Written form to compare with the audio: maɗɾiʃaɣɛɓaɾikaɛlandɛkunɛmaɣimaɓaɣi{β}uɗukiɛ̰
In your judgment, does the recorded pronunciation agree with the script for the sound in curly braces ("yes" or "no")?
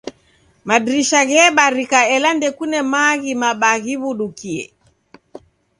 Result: yes